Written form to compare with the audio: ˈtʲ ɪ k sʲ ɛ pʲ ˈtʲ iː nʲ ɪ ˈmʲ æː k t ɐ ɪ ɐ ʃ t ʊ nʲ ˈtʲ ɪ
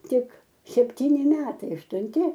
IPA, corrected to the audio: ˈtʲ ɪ k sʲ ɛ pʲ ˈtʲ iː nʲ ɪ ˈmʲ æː t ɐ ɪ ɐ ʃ t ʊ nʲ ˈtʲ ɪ